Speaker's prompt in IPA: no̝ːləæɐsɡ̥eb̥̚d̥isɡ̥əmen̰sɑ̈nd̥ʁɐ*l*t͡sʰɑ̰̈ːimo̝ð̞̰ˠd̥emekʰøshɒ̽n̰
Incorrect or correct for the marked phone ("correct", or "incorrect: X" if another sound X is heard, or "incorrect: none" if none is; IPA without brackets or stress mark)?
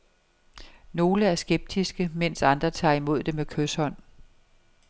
incorrect: none